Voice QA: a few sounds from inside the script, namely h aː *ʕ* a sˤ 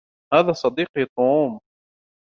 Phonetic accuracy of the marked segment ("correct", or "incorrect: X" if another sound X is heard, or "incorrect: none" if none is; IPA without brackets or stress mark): incorrect: ð